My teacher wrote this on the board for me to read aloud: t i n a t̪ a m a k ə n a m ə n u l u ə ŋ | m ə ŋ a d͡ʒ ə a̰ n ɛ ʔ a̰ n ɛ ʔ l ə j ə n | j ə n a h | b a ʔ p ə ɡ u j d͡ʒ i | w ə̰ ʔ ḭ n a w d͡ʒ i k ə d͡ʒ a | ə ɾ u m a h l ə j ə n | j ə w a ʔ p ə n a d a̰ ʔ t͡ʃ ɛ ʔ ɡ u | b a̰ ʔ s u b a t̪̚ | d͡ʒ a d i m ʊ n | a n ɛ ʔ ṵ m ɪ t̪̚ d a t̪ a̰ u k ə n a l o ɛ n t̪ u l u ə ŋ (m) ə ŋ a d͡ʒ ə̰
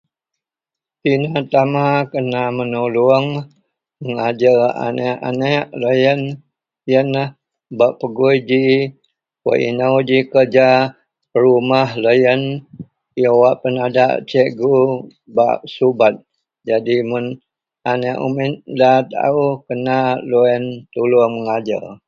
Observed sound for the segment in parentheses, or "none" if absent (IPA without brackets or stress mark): m